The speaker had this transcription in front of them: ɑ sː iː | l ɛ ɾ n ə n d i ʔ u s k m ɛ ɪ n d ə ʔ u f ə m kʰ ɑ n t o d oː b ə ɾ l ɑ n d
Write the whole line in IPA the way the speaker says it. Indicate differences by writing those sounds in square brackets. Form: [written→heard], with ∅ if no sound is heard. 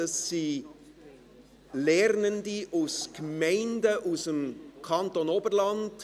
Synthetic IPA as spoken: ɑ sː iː | l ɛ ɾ n ə n d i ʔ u s k m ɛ ɪ n d ə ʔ u [f→s] ə m kʰ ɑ n t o [d→n] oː b ə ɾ l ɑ n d